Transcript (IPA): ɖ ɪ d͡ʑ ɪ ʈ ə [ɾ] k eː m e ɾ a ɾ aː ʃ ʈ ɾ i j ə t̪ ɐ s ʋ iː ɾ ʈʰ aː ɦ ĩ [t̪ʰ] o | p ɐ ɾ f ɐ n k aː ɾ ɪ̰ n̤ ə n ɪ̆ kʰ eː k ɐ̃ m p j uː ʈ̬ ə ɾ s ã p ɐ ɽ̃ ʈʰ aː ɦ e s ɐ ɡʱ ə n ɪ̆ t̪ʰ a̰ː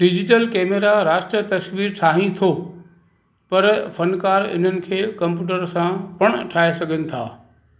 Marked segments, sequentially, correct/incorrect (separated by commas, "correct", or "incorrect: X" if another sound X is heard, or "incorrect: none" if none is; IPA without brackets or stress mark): incorrect: l, correct